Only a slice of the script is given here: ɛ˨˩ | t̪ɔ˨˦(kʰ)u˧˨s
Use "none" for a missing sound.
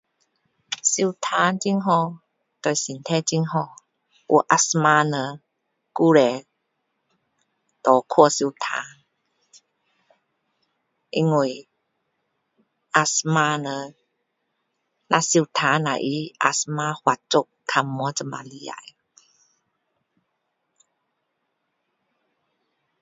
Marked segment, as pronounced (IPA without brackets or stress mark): kʰ